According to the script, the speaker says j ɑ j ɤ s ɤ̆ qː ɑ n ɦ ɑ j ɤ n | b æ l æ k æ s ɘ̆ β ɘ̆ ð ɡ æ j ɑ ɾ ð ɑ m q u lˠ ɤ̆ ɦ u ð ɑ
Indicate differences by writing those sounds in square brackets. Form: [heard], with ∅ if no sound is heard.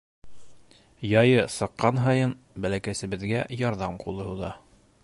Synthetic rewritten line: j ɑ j ɤ s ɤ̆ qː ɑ n ɦ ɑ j ɤ n | b æ l æ k æ s ɘ̆ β ɘ̆ ð ɡ æ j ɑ ɾ ð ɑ m q u lˠ ɤ̆ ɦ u ð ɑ